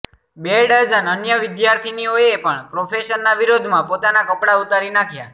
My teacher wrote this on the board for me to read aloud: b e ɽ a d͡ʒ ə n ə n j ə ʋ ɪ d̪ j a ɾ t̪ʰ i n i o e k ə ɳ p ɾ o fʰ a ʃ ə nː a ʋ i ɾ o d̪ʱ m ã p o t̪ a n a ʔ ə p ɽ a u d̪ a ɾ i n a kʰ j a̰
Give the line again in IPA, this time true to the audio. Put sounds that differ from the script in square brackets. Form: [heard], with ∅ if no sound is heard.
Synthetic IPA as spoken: b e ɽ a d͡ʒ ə n ə n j ə ʋ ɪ d̪ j a ɾ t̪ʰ i n i o e [p] ə ɳ p ɾ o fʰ [e] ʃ ə nː a ʋ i ɾ o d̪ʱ m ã p o t̪ a n a [k] ə p ɽ a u [t̪] a ɾ i n a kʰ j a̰